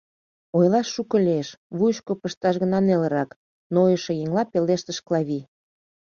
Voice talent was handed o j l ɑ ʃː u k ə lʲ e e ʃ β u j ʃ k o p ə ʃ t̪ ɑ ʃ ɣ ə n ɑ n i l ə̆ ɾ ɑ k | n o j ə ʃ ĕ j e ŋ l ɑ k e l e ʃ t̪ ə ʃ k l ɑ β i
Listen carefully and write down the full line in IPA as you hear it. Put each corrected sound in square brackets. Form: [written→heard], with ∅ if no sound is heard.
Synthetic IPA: o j l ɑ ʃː u k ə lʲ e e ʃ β u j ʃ k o p ə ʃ t̪ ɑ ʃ ɣ ə n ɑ n [i→e] l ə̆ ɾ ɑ k | n o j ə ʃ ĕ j e ŋ l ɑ [k→p] e l e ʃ t̪ ə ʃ k l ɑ β i